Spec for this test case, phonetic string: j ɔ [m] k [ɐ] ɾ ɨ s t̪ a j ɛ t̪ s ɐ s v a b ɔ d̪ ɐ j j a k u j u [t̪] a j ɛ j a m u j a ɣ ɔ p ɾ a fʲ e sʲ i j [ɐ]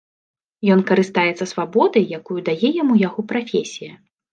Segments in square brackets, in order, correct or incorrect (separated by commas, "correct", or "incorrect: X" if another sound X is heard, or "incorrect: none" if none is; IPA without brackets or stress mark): incorrect: n, correct, incorrect: d̪, correct